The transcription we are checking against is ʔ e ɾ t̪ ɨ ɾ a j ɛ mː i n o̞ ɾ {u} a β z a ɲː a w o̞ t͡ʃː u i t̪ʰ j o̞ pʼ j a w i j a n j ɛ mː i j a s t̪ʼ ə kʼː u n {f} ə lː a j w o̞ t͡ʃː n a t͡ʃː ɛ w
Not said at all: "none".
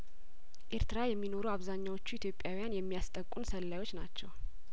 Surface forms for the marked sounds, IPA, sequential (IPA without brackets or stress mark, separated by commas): u, s